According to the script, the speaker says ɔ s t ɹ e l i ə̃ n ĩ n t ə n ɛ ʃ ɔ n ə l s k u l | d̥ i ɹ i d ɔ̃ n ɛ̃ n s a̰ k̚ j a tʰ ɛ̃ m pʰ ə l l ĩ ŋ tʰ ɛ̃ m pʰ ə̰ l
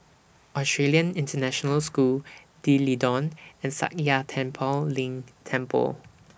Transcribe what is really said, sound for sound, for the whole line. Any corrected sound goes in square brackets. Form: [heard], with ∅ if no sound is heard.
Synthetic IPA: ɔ s t ɹ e l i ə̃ n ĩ n t ə n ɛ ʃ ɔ n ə l s k u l | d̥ i [l] i d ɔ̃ n ɛ̃ n s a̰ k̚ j a tʰ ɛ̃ m pʰ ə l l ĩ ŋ tʰ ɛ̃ m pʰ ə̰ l